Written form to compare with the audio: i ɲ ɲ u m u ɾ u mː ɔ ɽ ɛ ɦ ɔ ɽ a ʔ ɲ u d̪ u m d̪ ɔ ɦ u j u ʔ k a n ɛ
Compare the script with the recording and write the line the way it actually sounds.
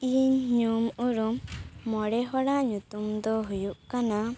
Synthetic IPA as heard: i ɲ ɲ u m u ɾ u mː ɔ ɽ ɛ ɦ ɔ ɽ a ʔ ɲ u t̪ u m d̪ ɔ ɦ u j u ʔ k a n a